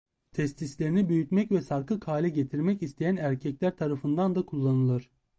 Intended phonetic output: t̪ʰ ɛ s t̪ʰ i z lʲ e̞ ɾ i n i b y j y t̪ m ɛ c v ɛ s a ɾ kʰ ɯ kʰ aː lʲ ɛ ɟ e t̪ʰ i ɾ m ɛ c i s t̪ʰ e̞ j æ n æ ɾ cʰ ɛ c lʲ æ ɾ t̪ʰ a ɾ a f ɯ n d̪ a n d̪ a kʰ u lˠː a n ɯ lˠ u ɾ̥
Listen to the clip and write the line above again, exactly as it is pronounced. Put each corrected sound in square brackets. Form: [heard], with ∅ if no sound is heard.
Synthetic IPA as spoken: t̪ʰ ɛ s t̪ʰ i [s] lʲ e̞ ɾ i n i b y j y t̪ m ɛ c v ɛ s a ɾ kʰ ɯ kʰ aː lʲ ɛ ɟ e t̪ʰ i ɾ m ɛ c i s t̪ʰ e̞ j æ n æ ɾ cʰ ɛ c lʲ æ ɾ t̪ʰ a ɾ a f ɯ n d̪ a n d̪ a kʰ u lˠː a n ɯ lˠ [ɯ] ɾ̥